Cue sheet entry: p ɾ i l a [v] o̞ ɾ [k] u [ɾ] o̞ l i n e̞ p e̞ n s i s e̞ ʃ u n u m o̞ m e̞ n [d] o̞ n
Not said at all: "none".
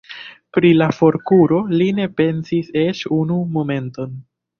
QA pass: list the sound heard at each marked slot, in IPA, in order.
f, k, ɾ, t

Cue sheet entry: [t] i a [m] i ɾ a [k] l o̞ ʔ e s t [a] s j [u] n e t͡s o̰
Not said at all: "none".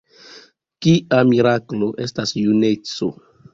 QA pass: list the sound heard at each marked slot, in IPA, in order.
k, m, k, a, u

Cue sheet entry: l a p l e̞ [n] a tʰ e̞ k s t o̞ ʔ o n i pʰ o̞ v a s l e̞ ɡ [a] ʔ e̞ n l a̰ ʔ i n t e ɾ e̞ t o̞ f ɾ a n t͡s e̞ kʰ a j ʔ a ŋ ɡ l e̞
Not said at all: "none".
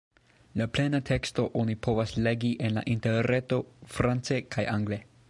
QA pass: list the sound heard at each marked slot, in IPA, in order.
n, i

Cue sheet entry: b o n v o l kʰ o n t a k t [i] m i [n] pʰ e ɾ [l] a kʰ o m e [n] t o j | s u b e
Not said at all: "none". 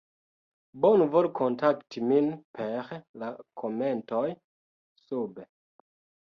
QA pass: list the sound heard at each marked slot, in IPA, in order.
i, n, l, n

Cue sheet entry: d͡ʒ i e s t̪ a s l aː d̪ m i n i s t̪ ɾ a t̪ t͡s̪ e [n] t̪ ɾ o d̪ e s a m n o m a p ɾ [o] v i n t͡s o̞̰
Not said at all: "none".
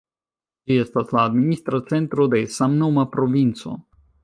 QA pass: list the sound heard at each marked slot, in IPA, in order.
n, o

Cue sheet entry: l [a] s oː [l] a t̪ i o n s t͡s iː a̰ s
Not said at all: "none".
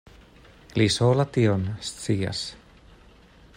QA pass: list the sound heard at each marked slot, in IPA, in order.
i, l

